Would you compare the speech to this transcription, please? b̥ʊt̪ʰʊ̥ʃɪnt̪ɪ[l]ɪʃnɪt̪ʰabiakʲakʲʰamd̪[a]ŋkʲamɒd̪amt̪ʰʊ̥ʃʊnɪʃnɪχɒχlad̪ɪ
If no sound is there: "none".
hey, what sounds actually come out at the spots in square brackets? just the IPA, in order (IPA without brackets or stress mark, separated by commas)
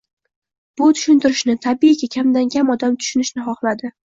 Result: ɾ, a